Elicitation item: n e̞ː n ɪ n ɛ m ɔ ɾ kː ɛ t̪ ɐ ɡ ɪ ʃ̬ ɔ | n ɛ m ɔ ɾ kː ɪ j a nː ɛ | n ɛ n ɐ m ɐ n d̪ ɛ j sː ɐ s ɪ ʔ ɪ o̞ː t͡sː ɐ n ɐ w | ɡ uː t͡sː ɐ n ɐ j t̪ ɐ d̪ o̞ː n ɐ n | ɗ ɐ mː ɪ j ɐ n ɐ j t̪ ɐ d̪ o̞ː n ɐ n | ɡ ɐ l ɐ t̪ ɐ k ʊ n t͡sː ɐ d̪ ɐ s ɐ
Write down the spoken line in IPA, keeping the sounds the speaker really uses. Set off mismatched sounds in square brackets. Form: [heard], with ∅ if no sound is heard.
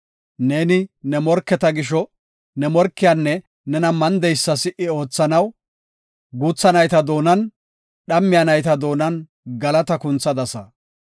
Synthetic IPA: n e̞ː n ɪ n ɛ m ɔ ɾ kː ɛ t̪ ɐ ɡ ɪ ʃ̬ ɔ | n ɛ m ɔ ɾ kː ɪ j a nː ɛ | n ɛ n ɐ m ɐ n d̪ ɛ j sː ɐ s ɪ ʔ ɪ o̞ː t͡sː ɐ n ɐ w | ɡ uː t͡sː ɐ n ɐ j t̪ ɐ d̪ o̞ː n ɐ n | ɗ ɐ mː ɪ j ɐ n ɐ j t̪ ɐ d̪ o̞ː n ɐ n | ɡ ɐ l ɐ t̪ ɐ k ʊ n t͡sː ɐ d̪ ɐ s ɐ